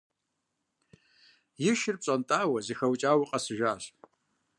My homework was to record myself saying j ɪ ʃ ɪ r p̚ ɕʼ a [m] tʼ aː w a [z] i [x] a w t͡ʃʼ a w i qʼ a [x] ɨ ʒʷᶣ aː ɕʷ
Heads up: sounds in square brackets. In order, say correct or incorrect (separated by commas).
incorrect, correct, correct, incorrect